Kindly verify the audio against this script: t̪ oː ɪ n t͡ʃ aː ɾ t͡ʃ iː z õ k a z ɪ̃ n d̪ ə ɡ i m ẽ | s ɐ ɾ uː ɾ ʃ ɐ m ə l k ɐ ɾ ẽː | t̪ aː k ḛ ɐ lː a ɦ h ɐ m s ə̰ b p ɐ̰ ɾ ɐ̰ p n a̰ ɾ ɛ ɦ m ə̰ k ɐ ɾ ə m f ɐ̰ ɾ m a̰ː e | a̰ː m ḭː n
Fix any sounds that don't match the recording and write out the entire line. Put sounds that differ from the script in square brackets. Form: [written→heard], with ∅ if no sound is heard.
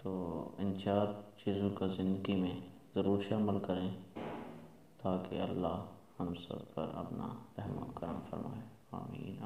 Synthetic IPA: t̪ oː ɪ n t͡ʃ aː ɾ t͡ʃ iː z õ k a z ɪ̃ n d̪ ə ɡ i m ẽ | [s→z] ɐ ɾ uː ɾ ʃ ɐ m ə l k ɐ ɾ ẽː | t̪ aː k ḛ ɐ lː a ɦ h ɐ m s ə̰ b p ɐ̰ ɾ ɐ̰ p n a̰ ɾ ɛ ɦ m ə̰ k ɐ ɾ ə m f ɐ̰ ɾ m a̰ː e | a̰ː m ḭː n